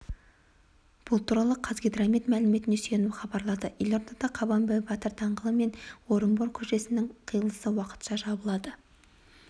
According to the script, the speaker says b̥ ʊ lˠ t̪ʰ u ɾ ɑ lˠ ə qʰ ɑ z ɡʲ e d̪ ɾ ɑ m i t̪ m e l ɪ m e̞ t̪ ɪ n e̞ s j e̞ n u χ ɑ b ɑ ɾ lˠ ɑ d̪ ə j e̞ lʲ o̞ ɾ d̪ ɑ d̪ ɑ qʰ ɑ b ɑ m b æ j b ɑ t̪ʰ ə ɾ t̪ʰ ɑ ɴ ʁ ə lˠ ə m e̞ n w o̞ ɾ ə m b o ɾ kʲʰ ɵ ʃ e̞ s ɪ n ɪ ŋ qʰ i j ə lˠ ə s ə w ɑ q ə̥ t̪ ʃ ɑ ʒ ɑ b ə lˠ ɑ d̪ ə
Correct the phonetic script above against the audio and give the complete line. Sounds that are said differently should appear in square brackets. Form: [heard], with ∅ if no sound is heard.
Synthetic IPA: b̥ ʊ lˠ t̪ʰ u ɾ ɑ lˠ ə qʰ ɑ z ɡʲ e d̪ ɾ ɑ m i t̪ m [æ] l ɪ m e̞ t̪ ɪ n e̞ s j e̞ n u χ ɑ b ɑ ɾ lˠ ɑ d̪ ə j e̞ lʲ o̞ ɾ d̪ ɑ d̪ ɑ qʰ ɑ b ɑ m b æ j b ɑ [t̪] ə ɾ t̪ʰ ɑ ɴ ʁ ə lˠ ə m e̞ n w o̞ ɾ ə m b o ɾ kʲʰ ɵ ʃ e̞ s ɪ n ɪ ŋ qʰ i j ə lˠ ə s ə w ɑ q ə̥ t̪ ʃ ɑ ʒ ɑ b ə lˠ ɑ d̪ ə